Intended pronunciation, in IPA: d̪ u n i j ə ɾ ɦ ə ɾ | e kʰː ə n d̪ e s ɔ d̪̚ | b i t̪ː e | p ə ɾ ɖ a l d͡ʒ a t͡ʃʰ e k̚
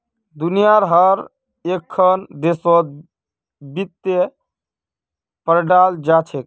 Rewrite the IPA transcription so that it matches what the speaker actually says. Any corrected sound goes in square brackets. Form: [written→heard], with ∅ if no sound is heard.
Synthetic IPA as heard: d̪ u n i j [ə→a] ɾ ɦ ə ɾ | e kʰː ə n d̪ e s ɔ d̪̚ | b i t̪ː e | p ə ɾ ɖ a l d͡ʒ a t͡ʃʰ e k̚